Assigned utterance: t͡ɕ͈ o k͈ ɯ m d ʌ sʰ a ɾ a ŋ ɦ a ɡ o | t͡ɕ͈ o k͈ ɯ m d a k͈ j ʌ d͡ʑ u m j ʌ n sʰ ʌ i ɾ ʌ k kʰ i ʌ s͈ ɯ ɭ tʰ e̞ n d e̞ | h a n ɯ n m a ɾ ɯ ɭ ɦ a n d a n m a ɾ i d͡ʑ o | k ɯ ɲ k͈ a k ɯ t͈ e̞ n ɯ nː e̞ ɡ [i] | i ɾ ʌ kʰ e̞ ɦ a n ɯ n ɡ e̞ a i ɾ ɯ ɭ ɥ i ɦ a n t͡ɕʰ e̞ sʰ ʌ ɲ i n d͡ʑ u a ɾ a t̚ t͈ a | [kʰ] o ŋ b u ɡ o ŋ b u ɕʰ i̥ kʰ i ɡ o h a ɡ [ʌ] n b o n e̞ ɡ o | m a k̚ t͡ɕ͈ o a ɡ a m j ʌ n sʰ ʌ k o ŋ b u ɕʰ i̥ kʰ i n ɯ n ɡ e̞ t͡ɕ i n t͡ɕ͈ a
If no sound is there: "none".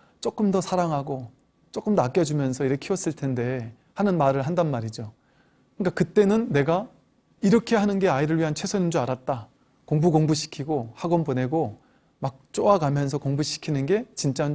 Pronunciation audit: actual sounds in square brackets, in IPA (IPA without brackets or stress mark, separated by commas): a, k, ʌ